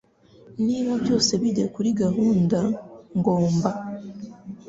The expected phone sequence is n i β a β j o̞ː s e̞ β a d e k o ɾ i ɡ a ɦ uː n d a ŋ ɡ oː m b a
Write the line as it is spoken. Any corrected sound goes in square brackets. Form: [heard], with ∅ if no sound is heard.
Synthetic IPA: n i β a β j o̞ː s e̞ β [i] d e k [u] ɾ i ɡ a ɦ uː n d a ŋ ɡ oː m b a